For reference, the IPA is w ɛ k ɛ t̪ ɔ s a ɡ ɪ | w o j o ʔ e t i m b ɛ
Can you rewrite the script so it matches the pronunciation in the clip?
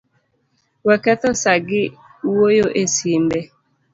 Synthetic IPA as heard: w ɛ k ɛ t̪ ɔ s a ɡ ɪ | w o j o ʔ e s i m b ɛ